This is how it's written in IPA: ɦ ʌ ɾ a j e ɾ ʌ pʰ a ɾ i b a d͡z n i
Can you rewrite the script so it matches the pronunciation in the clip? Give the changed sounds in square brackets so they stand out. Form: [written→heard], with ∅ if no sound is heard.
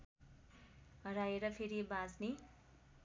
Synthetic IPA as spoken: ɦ ʌ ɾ a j e ɾ ʌ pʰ [a→e] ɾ i b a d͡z n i